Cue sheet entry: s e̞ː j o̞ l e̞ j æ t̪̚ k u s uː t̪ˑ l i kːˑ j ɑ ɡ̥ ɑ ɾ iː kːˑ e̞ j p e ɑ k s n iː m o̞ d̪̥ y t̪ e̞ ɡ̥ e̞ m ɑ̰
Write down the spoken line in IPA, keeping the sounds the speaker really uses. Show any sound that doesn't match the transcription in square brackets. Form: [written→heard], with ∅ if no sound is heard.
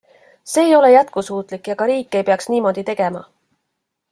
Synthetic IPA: s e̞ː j o̞ l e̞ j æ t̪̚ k u s uː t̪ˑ l i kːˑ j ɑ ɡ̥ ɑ ɾ iː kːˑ e̞ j p e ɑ k s n iː m o̞ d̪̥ [y→i] t̪ e̞ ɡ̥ e̞ m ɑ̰